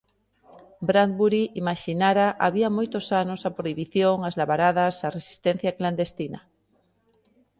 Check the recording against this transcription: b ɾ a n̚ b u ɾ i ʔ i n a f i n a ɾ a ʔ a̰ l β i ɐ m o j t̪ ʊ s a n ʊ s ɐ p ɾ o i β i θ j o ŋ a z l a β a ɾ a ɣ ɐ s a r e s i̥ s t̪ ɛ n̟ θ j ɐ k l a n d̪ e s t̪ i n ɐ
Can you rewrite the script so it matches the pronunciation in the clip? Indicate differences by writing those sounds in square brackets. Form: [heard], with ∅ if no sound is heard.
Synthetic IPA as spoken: b ɾ a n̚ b u ɾ i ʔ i [m] a [ʃ] i n a ɾ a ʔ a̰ [∅] β i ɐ m o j t̪ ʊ s a n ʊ s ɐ p ɾ o i β i θ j o ŋ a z l a β a ɾ a [ð] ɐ s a r e s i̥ s t̪ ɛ n̟ θ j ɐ k l a n d̪ e s t̪ i n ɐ

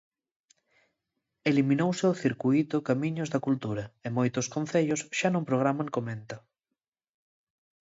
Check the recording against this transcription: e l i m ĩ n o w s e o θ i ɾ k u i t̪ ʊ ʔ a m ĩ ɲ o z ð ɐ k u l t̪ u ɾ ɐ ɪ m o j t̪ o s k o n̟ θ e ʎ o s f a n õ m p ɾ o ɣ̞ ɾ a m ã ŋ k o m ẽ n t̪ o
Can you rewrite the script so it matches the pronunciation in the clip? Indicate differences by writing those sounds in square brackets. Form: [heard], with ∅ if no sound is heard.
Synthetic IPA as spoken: e l i m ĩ n o w s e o θ i ɾ k u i t̪ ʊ [k] a m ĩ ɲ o z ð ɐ k u l t̪ u ɾ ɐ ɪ m o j t̪ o s k o n̟ θ e ʎ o s [ʃ] a n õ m p ɾ o ɣ̞ ɾ a m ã ŋ k o m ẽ n t̪ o

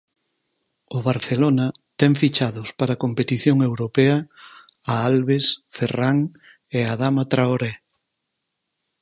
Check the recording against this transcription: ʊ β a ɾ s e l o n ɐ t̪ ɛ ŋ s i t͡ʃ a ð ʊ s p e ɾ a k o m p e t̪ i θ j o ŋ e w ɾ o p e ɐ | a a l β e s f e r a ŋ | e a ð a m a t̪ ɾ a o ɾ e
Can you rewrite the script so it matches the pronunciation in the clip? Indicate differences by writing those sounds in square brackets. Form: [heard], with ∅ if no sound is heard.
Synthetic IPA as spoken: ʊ β a ɾ [θ] e l o n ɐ t̪ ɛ ŋ [f] i t͡ʃ a ð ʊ s p [a] ɾ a k o m p e t̪ i θ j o ŋ e w ɾ o p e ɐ | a a l β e s f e r a ŋ | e a ð a m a t̪ ɾ a o ɾ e

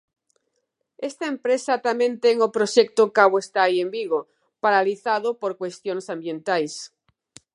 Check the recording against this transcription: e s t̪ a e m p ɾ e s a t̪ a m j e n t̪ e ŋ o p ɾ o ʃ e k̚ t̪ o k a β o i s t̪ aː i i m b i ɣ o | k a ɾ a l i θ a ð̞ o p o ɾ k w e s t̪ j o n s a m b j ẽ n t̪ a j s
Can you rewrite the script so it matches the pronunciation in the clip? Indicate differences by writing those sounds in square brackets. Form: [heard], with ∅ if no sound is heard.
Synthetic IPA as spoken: e s t̪ a e m p ɾ e s a t̪ a m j e n t̪ e ŋ o p ɾ o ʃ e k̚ t̪ o k a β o [e] s t̪ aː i [e] m b i ɣ o | [p] a ɾ a l i θ a ð̞ o p o ɾ k w e s t̪ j o n s a m b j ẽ n t̪ a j s

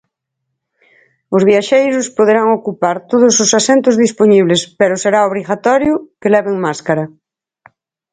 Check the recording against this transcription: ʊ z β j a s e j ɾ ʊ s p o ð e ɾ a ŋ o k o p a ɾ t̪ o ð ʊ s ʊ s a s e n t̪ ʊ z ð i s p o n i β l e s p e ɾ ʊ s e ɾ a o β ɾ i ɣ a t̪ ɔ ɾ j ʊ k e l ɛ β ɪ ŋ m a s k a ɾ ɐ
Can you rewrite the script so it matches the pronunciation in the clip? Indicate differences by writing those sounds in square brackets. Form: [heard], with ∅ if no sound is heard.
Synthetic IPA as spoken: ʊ z β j a [ʃ] e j ɾ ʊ s p o ð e ɾ a ŋ o k [u] p a ɾ t̪ o ð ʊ s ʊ s a s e n t̪ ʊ z ð i s p o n i β l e s p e ɾ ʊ s e ɾ a o β ɾ i ɣ a t̪ ɔ ɾ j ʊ k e l ɛ β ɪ ŋ m a s k a ɾ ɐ

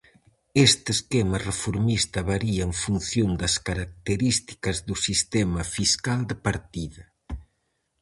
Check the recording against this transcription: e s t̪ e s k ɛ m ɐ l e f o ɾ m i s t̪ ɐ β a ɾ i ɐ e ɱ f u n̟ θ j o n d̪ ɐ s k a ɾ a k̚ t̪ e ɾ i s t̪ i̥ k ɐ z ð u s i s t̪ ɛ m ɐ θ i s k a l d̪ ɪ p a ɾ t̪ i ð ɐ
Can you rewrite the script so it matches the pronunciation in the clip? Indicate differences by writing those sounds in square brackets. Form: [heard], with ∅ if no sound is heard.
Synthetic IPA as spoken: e s t̪ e s k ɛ m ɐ [r] e f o ɾ m i s t̪ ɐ β a ɾ i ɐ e ɱ f u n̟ θ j o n d̪ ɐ s k a ɾ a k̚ t̪ e ɾ i s t̪ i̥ k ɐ z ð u s i s t̪ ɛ m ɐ [f] i s k a l d̪ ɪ p a ɾ t̪ i ð ɐ

